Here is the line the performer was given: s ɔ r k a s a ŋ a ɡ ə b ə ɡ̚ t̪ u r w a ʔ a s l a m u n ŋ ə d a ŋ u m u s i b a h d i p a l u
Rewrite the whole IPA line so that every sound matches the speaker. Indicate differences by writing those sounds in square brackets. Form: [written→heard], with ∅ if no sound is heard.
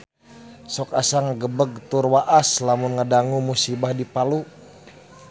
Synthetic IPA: s ɔ [r→∅] k a s a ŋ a ɡ ə b ə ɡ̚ t̪ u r w a ʔ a s l a m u n ŋ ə d a ŋ u m u s i b a h d i p a l u